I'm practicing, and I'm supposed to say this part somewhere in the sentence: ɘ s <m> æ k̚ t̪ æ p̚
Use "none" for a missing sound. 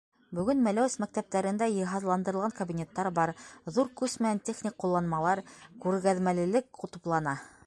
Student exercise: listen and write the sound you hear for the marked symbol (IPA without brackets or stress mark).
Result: m